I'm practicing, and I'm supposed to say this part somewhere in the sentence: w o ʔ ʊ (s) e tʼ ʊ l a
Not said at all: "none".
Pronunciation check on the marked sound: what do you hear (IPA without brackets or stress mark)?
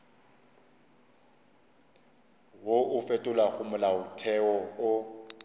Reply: f